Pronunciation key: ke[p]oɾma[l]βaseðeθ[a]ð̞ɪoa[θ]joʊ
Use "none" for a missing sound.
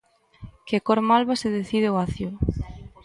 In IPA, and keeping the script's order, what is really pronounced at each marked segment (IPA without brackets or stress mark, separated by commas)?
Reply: k, l, i, θ